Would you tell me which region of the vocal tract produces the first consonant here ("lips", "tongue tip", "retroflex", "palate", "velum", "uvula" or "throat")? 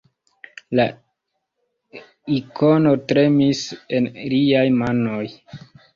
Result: tongue tip